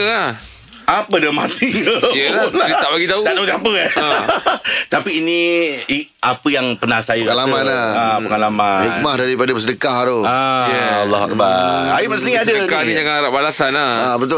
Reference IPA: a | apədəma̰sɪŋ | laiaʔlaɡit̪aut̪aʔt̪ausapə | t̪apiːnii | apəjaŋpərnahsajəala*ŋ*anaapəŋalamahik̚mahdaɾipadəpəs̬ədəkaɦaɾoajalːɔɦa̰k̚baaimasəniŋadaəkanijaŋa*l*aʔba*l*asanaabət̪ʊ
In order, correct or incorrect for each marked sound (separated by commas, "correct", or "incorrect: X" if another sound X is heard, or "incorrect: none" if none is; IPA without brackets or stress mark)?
incorrect: m, incorrect: ɾ, correct